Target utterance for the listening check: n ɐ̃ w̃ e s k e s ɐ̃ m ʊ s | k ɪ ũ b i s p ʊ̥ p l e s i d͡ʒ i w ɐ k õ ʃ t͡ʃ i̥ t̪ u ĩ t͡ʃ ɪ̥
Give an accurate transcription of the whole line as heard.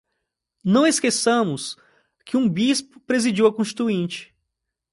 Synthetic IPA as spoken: n ɐ̃ w̃ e s k e s ɐ̃ m ʊ s | k ɪ ũ b i s p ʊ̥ p ɾ e z i d͡ʒ i w ɐ k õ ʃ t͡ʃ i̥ t̪ u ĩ t͡ʃ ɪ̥